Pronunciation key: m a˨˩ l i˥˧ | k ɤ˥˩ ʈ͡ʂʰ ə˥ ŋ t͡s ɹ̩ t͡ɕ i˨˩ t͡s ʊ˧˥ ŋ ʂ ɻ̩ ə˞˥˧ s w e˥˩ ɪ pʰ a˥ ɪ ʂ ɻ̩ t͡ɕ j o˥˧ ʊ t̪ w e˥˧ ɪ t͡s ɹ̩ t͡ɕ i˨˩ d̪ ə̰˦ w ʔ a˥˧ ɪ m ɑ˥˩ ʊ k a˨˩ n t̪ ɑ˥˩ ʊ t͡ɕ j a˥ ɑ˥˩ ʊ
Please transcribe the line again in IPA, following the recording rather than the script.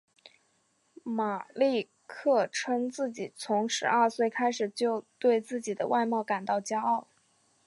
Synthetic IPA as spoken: m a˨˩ l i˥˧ | kʰ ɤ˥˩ ʈ͡ʂʰ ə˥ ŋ t͡s ɹ̩ t͡ɕ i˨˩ t͡sʰ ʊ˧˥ ŋ ʂ ɻ̩ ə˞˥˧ s w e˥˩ ɪ kʰ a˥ ɪ ʂ ɻ̩ t͡ɕ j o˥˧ ʊ t̪ w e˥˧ ɪ t͡s ɹ̩ t͡ɕ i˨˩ d̪ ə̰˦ w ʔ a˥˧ ɪ m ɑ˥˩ ʊ k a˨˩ n t̪ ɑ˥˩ ʊ t͡ɕ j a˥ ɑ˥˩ ʊ

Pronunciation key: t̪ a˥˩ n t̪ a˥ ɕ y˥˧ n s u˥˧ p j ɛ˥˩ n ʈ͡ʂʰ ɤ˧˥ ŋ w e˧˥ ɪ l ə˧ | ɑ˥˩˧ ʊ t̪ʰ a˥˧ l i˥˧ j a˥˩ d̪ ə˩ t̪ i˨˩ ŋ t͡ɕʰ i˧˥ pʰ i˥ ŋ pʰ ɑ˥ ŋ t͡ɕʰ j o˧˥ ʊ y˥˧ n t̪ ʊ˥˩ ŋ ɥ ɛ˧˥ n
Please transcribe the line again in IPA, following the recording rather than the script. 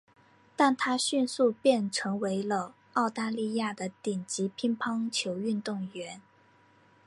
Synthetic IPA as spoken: t̪ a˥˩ n t̪ʰ a˥ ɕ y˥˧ n s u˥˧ p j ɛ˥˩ n ʈ͡ʂʰ ɤ˧˥ ŋ w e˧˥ ɪ l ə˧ | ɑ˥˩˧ ʊ t̪ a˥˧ l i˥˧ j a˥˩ d̪ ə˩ t̪ i˨˩ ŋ t͡ɕ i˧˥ pʰ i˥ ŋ pʰ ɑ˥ ŋ t͡ɕʰ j o˧˥ ʊ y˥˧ n t̪ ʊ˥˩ ŋ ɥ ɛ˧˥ n

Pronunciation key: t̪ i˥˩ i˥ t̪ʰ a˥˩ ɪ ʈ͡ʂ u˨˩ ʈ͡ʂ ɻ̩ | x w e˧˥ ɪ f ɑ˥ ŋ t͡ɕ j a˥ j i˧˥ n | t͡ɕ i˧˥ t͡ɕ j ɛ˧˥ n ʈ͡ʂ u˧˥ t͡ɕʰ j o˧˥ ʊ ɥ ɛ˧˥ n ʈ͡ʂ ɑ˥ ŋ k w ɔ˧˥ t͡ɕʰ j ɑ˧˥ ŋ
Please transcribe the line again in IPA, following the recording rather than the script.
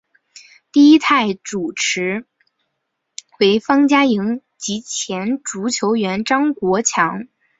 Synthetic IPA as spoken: t̪ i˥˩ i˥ t̪ʰ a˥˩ ɪ ʈ͡ʂ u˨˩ ʈ͡ʂʰ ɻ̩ | x w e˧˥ ɪ f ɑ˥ ŋ t͡ɕ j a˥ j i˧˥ ŋ | t͡ɕ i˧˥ t͡ɕʰ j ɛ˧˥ n ʈ͡ʂ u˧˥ t͡ɕʰ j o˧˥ ʊ ɥ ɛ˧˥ n ʈ͡ʂ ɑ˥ ŋ k w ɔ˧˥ t͡ɕʰ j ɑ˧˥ ŋ

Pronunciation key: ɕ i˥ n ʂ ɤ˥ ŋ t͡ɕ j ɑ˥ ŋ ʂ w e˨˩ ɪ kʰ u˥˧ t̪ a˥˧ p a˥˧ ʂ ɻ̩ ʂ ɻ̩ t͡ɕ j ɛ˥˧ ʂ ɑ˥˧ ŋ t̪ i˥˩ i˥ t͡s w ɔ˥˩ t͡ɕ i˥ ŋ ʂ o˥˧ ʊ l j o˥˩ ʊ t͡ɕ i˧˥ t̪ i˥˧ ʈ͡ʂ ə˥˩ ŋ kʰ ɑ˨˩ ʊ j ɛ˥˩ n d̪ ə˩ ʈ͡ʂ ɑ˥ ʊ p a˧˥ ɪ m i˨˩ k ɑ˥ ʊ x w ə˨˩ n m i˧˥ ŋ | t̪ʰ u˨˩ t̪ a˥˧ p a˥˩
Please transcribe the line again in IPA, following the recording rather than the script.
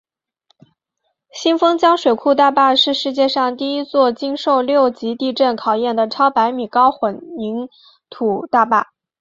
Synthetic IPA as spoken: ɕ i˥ n f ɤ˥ ŋ t͡ɕ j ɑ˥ ŋ ʂ w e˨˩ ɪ kʰ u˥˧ t̪ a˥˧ p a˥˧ ʂ ɻ̩ ʂ ɻ̩ t͡ɕ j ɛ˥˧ ʂ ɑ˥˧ ŋ t̪ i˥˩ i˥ t͡s w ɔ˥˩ t͡ɕ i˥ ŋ ʂ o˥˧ ʊ l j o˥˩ ʊ t͡ɕ i˧˥ t̪ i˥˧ ʈ͡ʂ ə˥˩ n kʰ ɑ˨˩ ʊ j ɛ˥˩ n d̪ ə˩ ʈ͡ʂʰ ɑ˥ ʊ p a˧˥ ɪ m i˨˩ k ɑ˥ ʊ x w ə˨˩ n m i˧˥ ŋ | t̪ʰ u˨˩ t̪ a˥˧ p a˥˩

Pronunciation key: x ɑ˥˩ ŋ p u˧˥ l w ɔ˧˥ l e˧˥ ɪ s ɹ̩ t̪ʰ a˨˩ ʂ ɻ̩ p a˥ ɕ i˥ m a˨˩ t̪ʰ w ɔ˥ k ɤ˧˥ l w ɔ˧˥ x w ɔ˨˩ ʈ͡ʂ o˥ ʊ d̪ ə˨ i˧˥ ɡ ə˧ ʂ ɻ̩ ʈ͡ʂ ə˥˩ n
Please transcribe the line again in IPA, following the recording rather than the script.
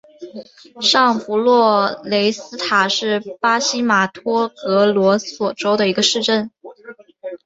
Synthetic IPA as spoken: ʂ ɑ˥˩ ŋ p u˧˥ l w ɔ˥˩ l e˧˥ ɪ s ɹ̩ t̪ʰ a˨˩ ʂ ɻ̩ p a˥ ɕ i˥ m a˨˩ t̪ʰ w ɔ˥ k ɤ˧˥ l w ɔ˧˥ s w ɔ˨˩ ʈ͡ʂ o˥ ʊ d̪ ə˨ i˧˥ ɡ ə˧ ʂ ɻ̩ ʈ͡ʂ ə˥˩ n

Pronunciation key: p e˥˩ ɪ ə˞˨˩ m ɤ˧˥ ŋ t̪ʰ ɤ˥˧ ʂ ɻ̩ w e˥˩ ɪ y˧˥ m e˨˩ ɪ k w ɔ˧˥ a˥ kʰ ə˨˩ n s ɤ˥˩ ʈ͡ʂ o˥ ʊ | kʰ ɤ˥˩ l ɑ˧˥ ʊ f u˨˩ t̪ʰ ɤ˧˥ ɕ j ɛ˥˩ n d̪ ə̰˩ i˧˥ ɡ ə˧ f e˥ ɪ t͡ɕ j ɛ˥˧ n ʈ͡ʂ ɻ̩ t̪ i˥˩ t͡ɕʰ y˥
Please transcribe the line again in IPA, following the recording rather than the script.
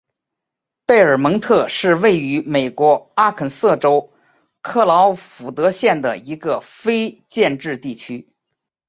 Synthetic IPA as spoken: p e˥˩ ɪ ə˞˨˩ m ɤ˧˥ ŋ t̪ʰ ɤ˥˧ ʂ ɻ̩ w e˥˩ ɪ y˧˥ m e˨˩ ɪ k w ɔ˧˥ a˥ kʰ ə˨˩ n s ɤ˥˩ ʈ͡ʂ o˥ ʊ | kʰ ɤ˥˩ l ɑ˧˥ ʊ f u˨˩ t̪ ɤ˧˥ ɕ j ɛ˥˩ n d̪ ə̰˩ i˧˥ ɡ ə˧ f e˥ ɪ t͡ɕ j ɛ˥˧ n ʈ͡ʂ ɻ̩ t̪ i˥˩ t͡ɕʰ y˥

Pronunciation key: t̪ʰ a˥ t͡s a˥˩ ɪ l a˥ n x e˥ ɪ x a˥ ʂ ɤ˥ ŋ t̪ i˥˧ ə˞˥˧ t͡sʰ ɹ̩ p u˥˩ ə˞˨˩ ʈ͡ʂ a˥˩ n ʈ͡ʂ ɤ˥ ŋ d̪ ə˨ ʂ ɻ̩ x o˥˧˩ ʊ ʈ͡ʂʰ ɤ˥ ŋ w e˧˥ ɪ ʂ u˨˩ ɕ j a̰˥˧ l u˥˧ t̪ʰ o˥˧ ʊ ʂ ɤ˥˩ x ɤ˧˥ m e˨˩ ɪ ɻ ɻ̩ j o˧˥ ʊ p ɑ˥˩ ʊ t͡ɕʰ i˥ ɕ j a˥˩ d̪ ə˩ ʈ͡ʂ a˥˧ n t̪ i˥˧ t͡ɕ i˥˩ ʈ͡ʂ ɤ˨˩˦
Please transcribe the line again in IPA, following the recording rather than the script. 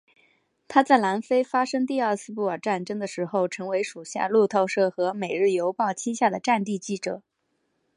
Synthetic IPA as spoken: t̪ʰ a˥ t͡s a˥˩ ɪ l a˧˥ n f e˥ ɪ f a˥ ʂ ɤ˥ ŋ t̪ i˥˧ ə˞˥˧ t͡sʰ ɹ̩ p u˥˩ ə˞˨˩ ʈ͡ʂ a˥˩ n ʈ͡ʂ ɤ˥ ŋ d̪ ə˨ ʂ ɻ̩ x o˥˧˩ ʊ ʈ͡ʂʰ ɤ˧˥ ŋ w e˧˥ ɪ ʂ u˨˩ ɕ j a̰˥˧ l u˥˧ t̪ʰ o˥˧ ʊ ʂ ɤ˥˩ x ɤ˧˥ m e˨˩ ɪ ɻ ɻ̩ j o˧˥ ʊ p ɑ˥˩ ʊ t͡ɕʰ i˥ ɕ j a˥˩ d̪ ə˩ ʈ͡ʂ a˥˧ n t̪ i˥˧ t͡ɕ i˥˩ ʈ͡ʂ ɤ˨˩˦

